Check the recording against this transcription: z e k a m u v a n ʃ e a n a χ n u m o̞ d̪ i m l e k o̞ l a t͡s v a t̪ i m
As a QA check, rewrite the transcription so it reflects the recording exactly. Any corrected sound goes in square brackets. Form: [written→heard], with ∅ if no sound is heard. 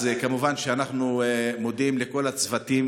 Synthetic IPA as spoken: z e k a m u v a n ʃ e a n a χ n u m o̞ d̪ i m l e k o̞ l a t͡s v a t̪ i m